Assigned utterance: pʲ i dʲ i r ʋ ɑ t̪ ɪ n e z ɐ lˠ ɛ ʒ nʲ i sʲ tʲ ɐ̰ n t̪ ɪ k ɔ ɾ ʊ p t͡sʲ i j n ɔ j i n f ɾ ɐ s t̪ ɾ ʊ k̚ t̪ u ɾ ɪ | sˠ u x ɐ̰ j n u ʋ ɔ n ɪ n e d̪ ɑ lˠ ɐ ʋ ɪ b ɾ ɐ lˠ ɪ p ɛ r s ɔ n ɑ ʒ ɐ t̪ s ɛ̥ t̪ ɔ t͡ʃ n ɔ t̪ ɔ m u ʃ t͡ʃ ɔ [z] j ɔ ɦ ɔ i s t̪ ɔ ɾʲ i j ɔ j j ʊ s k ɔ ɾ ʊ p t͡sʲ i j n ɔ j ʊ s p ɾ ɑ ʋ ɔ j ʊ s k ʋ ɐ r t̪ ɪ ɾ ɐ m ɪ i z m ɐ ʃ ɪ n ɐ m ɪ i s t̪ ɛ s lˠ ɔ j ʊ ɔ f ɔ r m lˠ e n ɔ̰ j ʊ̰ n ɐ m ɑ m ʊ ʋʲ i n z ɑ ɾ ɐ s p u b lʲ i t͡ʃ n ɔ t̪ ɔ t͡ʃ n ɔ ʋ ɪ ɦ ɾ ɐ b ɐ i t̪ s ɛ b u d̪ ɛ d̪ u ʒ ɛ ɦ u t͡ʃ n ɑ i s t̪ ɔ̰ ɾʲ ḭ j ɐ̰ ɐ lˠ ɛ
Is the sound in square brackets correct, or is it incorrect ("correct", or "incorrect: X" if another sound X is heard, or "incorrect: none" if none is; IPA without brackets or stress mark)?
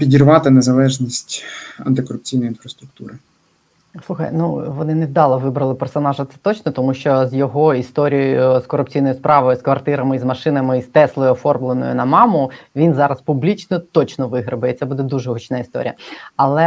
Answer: correct